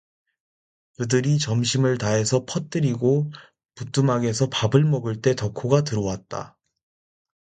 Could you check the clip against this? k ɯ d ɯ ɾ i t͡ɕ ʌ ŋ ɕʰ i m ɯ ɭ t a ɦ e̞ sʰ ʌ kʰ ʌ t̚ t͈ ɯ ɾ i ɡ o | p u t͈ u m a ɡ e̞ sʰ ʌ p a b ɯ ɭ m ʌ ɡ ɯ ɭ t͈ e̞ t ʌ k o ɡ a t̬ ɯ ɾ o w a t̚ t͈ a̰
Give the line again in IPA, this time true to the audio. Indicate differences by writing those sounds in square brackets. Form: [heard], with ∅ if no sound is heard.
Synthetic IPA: k ɯ d ɯ ɾ i t͡ɕ ʌ [m] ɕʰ i m ɯ ɭ t a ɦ e̞ sʰ ʌ [pʰ] ʌ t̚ t͈ ɯ ɾ i ɡ o | p u t͈ u m a ɡ e̞ sʰ ʌ p a b ɯ ɭ m ʌ ɡ ɯ ɭ t͈ e̞ t ʌ [kʰ] o ɡ a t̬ ɯ ɾ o w a t̚ t͈ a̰